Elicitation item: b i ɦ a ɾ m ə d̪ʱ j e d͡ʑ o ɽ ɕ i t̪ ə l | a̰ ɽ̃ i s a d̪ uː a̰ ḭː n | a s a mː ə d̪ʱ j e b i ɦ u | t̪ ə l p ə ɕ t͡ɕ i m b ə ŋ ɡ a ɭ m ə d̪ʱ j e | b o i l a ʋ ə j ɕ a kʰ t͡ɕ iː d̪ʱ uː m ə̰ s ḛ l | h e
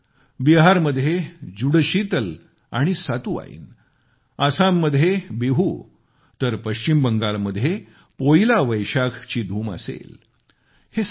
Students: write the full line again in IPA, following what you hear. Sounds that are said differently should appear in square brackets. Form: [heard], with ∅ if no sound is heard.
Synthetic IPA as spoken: b i ɦ a ɾ m ə d̪ʱ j e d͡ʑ [u] ɽ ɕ i t̪ ə l | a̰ ɽ̃ i s a [t̪] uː a̰ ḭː n | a s a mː ə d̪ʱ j e b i ɦ u | t̪ ə [ɾ] p ə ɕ t͡ɕ i m b ə ŋ ɡ a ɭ m ə d̪ʱ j e | [p] o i l a ʋ ə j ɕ a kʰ t͡ɕ iː d̪ʱ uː m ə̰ s ḛ l | h e